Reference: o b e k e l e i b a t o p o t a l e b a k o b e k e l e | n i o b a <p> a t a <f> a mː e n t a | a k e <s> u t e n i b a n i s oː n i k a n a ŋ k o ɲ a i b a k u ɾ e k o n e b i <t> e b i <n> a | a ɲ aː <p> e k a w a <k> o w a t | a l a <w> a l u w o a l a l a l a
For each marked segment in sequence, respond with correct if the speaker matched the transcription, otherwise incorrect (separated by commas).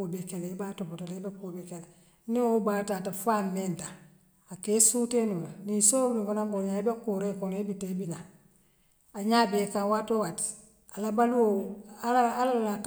incorrect, correct, correct, correct, correct, incorrect, incorrect, incorrect